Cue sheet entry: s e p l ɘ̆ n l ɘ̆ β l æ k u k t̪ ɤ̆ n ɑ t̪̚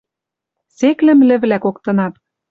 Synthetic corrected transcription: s e k l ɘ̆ m l ɘ̆ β l æ k o k t̪ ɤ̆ n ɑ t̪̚